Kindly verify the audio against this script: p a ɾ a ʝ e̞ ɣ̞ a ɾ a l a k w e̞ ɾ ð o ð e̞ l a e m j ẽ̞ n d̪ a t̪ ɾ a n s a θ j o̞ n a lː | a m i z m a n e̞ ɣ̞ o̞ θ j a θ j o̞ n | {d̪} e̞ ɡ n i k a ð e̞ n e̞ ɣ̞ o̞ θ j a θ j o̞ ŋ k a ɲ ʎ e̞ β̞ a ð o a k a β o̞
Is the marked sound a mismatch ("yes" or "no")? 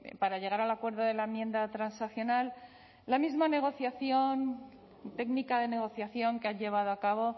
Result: yes